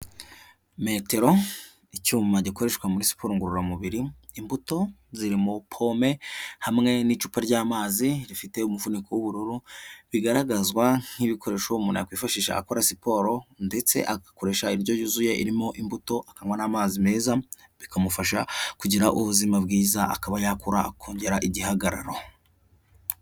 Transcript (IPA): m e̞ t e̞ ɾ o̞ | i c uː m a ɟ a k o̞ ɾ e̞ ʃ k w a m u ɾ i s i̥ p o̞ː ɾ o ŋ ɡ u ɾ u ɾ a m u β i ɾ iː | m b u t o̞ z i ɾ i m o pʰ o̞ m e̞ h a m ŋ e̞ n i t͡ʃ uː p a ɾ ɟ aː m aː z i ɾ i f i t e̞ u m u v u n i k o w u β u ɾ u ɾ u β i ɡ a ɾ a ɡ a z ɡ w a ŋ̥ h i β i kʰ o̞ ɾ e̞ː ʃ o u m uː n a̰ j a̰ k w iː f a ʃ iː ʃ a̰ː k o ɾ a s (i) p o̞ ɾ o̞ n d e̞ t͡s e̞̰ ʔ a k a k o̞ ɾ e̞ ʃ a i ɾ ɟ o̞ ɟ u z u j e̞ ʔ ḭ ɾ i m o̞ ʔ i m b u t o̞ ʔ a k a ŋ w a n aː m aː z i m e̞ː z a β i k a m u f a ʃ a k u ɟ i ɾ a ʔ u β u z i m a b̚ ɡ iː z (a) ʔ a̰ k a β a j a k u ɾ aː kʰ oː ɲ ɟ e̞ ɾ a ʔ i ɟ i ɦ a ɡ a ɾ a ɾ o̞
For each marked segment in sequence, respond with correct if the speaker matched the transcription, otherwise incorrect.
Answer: correct, correct

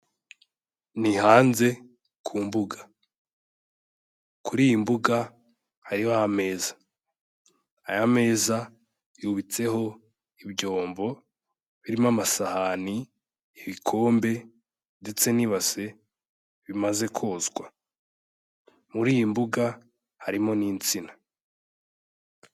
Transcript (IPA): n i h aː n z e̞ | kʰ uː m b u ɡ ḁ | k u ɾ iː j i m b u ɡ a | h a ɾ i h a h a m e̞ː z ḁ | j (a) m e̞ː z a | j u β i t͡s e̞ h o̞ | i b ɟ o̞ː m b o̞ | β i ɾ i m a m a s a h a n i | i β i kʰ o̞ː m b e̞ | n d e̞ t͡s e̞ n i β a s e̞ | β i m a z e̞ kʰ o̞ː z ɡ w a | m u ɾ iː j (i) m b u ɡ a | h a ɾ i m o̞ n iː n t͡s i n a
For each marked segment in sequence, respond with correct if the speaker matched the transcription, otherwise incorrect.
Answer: correct, correct

